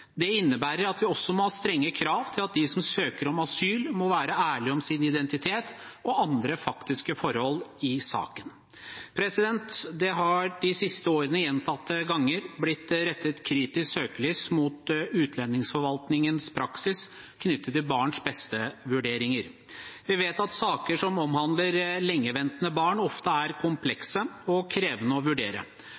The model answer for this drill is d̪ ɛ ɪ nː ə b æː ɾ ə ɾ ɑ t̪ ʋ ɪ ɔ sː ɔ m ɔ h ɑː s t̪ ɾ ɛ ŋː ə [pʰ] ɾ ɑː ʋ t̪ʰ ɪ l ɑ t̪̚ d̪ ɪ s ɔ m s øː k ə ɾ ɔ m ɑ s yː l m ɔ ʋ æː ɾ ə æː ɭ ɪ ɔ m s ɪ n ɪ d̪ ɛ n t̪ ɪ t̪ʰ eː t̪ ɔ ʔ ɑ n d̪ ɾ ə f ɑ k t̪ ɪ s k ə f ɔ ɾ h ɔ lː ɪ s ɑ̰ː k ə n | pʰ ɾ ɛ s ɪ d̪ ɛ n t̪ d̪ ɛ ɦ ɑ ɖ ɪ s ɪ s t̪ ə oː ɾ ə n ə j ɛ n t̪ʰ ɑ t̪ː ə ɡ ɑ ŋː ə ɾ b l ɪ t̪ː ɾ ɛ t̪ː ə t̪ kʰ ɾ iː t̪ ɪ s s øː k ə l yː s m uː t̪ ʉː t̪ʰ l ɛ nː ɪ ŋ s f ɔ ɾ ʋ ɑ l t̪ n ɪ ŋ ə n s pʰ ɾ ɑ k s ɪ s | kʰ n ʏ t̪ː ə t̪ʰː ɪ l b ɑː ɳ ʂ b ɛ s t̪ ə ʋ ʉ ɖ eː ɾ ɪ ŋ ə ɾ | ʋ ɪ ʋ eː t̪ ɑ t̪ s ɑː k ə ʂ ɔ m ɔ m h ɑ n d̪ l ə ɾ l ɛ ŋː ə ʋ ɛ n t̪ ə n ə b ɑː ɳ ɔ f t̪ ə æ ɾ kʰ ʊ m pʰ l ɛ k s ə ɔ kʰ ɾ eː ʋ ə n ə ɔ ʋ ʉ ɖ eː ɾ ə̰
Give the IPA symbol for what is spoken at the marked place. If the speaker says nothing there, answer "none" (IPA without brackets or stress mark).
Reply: kʰ